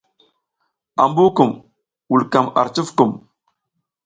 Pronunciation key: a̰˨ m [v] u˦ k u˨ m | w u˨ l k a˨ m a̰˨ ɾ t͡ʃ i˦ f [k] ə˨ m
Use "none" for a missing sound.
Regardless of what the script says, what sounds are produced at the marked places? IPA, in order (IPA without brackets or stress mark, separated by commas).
b, k